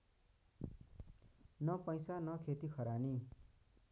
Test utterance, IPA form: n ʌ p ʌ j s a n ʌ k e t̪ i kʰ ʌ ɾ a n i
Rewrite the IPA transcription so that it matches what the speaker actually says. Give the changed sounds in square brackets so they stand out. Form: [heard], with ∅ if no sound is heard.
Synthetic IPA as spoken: n ʌ p ʌ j s a n ʌ [kʰ] e t̪ i kʰ ʌ ɾ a n i